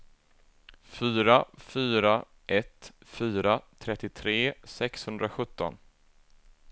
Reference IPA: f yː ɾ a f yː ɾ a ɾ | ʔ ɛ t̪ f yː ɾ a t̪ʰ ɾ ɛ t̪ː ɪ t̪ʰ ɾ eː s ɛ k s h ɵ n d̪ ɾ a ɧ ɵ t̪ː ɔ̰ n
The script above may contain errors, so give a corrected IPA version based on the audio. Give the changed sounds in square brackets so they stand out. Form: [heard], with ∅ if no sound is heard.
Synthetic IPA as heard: f yː ɾ a f yː ɾ a [∅] | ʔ ɛ t̪ f yː ɾ a t̪ʰ ɾ ɛ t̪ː ɪ t̪ʰ ɾ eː s ɛ k s h ɵ n d̪ ɾ a ɧ ɵ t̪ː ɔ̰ n